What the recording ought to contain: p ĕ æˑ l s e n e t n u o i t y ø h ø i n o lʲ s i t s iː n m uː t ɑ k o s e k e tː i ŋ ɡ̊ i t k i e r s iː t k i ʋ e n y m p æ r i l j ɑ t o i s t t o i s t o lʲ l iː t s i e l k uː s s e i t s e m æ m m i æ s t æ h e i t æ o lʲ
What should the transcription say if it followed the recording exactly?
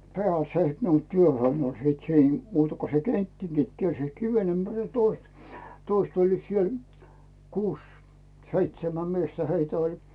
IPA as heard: p ĕ æˑ l s e n e t n u o i t y ø h ø i n o lʲ s i t s iː n m uː t ɑ k o s e k e tː i ŋ ɡ̊ i t k i e r s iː t k i ʋ e n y m p æ r i l j ɑ t o i s t t o i s t o lʲ l iː t s i e l k uː s s e i t s e m æ m m i e s t æ h e i t æ o lʲ

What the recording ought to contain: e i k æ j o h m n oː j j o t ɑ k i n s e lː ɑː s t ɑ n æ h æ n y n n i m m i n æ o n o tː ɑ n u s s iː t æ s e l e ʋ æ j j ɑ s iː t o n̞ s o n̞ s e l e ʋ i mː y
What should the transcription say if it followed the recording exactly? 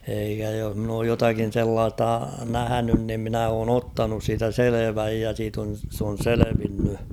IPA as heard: e i k æ j o h m n oː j j o t ɑ k i n s e lː ɑː s t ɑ n æ h æ n y n n i m m i n æ oː n o tː ɑ n u s s iː t æ s e l e ʋ æ j j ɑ s iː t o n̞ s o n̞ s e l e ʋ i nː y

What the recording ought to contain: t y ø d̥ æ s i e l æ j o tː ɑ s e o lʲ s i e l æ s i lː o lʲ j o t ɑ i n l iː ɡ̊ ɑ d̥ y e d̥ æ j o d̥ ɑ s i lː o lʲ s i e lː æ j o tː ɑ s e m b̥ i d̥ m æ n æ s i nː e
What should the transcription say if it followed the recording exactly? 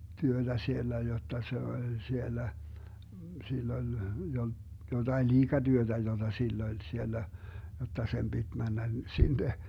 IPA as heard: t y ø d̥ æ s i e lː æ j o tː ɑ s e o lʲ s i e lː æ s i lː o lʲ j o t ɑ i n l iː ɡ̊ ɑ d̥ y ø d̥ æ j o d̥ ɑ s i lː o lʲ s i e lː æ j o tː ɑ s e m b̥ i d̥ m æ nː æ s i nː e

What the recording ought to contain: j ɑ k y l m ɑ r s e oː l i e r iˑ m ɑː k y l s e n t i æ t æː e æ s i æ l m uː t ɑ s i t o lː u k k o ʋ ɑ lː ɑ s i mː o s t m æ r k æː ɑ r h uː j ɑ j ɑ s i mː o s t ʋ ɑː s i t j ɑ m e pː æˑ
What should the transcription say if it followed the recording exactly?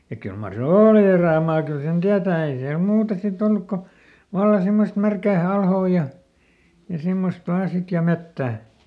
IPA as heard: j ɑ k y l m ɑ r s e oː l i e r æˑ m ɑː k y l s e n t i æ t æː e i s i æ l m uː t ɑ s i t o lː u k k o ʋ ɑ lː ɑ s i mː o s t m æ r k æː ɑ l h oː j ɑ j ɑ s i mː o s t ʋ ɑː s i t j ɑ m e tː æˑ

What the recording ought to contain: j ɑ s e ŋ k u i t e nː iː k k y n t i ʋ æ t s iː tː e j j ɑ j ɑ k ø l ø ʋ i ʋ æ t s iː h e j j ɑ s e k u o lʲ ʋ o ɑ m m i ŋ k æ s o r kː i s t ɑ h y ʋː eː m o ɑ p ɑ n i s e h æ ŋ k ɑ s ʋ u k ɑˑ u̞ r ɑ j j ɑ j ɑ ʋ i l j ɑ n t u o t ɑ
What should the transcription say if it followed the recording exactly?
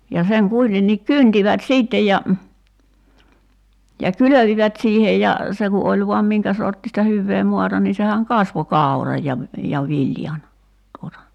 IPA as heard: j ɑ s e ŋ k u i t e nː iː k k y n t i ʋ æ t s iː tː e j j ɑ j ɑ k y l ø ʋ i ʋ æ t s iː h e j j ɑ s e k u o lʲ ʋ o ɑ m m i ŋ k æ s o r tː i s t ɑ h y ʋː eː m o ɑ t ɑ n i s e h æ ŋ k ɑ s ʋ o k ɑˑ u̞ r ɑ j j ɑ j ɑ ʋ i l j ɑ n t u o t ɑ

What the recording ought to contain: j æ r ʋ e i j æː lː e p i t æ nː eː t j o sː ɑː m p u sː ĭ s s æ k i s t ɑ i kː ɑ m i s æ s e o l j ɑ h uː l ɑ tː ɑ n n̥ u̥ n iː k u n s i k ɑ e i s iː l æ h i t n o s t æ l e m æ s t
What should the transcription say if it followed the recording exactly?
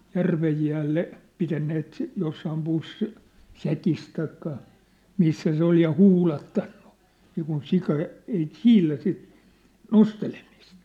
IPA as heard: j æ r ʋ e j j æː lː e p i t æ nː eː t j o sː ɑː m p u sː ĭ s s æ k i s t ɑ i kː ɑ m i sː æ s e o l j ɑ h uː l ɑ tː ɑ n n̥ u̥ n iː k u n s i k ɑ e i s iː l æ s i t n o s t e l e m i s t

